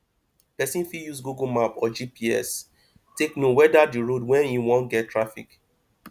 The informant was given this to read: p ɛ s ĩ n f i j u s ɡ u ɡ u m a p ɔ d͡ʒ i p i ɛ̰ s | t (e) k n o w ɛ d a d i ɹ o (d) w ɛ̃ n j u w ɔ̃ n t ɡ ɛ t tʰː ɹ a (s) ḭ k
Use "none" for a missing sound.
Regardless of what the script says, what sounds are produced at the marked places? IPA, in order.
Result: e, d, f

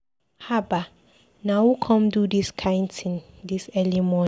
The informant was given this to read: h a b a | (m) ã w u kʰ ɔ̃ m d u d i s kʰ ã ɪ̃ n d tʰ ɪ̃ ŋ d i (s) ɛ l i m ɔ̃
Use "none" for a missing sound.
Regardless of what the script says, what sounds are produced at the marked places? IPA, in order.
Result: n, s

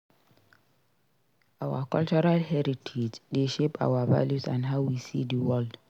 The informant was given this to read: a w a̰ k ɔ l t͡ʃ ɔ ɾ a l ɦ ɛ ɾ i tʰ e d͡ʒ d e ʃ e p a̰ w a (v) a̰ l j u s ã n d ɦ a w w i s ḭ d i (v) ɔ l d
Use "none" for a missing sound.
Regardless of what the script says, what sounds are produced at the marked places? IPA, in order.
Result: v, w

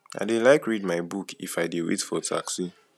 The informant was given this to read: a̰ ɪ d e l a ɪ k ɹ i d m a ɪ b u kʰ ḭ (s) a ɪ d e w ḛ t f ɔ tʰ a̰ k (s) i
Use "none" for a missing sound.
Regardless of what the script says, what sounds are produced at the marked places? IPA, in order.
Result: f, s

